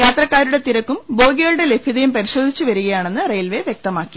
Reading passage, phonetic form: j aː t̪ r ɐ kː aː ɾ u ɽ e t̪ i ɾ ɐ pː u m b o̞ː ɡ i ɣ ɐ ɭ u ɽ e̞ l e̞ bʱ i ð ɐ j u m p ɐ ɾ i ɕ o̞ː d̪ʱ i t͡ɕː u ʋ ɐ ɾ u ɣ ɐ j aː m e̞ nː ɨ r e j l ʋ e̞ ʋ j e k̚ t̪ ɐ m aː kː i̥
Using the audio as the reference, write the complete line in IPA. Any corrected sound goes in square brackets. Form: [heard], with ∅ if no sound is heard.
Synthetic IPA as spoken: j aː t̪ r ɐ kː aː ɾ u ɽ e t̪ i ɾ ɐ [kː] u m b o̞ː ɡ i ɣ ɐ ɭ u ɽ e̞ l e̞ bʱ i ð ɐ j u m p ɐ ɾ i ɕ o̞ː d̪ʱ i t͡ɕː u ʋ ɐ ɾ u ɣ ɐ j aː [ɳ] e̞ nː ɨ r e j l ʋ e̞ ʋ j e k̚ t̪ ɐ m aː kː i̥